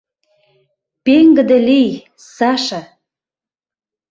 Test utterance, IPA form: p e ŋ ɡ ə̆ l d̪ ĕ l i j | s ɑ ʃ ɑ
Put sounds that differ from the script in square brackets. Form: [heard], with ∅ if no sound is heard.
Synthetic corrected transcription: p e ŋ ɡ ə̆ [∅] d̪ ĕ l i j | s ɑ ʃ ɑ